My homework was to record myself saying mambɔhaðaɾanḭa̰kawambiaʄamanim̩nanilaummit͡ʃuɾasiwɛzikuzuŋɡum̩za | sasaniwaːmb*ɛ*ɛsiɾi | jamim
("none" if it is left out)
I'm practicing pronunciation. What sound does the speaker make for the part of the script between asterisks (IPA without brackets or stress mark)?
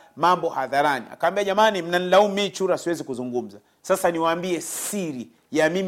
i